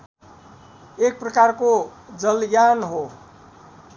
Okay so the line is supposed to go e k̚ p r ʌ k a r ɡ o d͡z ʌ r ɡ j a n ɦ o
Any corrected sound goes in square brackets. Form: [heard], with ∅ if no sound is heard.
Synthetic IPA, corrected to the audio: e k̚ p r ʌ k a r [k] o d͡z ʌ [l] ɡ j a n ɦ o